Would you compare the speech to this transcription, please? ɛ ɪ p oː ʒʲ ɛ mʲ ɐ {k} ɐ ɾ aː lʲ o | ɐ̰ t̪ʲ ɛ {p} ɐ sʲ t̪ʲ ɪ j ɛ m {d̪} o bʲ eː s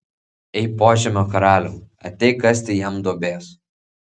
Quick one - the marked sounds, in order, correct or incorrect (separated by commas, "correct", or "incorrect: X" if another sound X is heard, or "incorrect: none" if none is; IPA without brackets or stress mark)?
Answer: correct, incorrect: k, correct